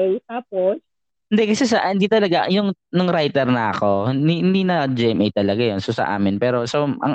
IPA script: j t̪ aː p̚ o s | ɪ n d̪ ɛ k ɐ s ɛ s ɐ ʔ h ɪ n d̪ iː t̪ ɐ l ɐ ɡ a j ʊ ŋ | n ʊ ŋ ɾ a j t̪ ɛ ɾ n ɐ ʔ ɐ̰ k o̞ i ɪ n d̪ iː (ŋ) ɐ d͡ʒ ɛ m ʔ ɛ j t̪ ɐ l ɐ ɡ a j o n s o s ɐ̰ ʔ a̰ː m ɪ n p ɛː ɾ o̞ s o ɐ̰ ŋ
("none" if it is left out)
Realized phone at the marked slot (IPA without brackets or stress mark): n